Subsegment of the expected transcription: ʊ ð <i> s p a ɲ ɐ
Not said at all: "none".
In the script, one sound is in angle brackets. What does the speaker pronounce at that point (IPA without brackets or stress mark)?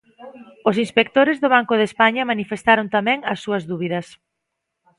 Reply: e